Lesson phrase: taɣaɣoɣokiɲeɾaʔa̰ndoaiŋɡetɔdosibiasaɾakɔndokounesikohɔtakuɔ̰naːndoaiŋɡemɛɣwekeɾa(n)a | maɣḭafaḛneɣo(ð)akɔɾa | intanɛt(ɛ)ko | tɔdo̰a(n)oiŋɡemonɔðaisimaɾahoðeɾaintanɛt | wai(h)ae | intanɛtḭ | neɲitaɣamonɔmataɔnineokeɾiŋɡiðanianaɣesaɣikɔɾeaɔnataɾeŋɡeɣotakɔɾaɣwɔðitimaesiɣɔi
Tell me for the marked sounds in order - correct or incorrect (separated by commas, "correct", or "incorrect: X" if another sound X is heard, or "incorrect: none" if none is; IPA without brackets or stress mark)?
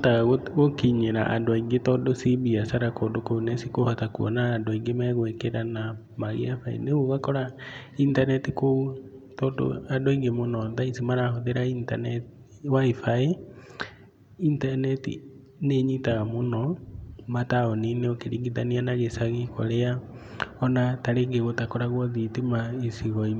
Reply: correct, incorrect: ɣ, incorrect: i, incorrect: d, incorrect: f